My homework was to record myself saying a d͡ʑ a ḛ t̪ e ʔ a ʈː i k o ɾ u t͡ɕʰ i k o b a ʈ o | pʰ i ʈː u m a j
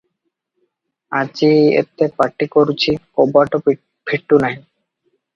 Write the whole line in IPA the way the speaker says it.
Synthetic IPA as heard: a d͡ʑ i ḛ t̪ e p a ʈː i k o ɾ u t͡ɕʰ i k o b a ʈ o | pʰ i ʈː u n a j